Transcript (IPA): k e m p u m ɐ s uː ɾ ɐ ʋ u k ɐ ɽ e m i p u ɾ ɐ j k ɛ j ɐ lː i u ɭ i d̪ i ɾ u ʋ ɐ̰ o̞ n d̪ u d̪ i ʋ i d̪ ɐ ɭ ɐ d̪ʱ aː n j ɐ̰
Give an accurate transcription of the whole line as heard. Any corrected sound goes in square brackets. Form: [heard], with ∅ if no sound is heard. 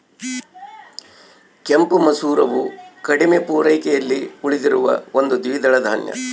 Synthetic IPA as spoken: k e m p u m ɐ s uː ɾ ɐ ʋ u k ɐ ɽ [i] m [e] p [uː] ɾ ɐ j k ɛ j ɐ lː i u ɭ i d̪ i ɾ u ʋ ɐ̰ o̞ n d̪ u d̪ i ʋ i d̪ ɐ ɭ ɐ d̪ʱ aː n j ɐ̰